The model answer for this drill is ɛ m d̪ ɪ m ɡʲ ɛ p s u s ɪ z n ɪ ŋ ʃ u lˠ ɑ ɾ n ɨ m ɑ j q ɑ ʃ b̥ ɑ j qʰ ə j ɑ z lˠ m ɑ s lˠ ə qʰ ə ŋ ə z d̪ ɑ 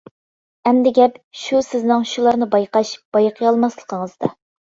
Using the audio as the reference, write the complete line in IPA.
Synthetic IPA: ɛ m d̪ ɪ ɡʲ ɛ p ʃ u s ɪ z n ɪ ŋ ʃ u lˠ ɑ ɾ n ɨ b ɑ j q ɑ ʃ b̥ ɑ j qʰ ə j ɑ lˠ m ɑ s lˠ ə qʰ ə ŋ ə z d̪ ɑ